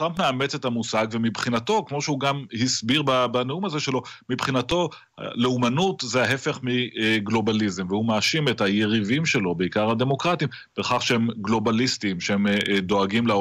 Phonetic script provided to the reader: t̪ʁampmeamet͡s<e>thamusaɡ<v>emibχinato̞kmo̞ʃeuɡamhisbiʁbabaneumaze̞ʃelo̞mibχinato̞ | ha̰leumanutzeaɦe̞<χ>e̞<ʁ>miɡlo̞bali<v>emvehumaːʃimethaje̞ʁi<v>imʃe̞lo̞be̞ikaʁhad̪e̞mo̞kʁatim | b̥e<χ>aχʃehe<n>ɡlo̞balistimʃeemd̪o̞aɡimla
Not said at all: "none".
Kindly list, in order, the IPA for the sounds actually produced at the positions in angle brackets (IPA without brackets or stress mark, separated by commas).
e, v, f, χ, z, v, χ, m